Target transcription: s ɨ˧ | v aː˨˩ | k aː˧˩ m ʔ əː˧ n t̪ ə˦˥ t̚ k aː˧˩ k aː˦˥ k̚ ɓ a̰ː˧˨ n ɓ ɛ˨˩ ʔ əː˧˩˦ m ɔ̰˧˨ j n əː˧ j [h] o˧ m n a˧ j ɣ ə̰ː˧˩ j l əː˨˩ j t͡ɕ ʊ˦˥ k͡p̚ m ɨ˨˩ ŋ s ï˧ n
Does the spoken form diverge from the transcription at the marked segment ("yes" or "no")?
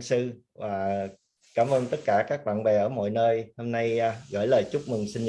no